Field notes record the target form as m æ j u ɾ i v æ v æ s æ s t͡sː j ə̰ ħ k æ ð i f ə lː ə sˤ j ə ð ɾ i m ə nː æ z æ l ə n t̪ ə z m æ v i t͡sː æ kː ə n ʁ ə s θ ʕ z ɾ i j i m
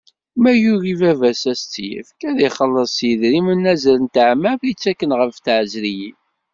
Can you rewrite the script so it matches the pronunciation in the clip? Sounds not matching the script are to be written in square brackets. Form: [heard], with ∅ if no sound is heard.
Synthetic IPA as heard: m æ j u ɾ i v æ v æ s æ s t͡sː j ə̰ [f] k æ ð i [χ] ə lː ə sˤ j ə ð ɾ i m ə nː æ z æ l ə n t̪ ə [ʕ] m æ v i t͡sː æ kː ə n ʁ ə [f] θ ʕ z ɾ i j i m